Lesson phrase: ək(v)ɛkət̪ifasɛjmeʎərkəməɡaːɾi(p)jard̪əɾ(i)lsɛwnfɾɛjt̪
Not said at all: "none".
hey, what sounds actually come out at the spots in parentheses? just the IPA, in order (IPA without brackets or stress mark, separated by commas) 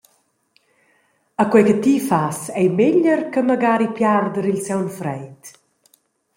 w, p, i